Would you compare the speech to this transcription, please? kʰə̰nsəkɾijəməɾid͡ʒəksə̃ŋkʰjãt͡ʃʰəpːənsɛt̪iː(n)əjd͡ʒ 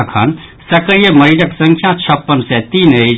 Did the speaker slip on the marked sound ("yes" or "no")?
no